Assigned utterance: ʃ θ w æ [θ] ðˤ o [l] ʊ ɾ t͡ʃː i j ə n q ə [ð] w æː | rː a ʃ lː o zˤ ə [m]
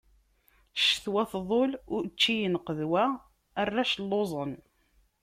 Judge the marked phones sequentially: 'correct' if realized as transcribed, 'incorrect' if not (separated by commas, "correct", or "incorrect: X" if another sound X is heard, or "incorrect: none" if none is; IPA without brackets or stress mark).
correct, correct, correct, incorrect: n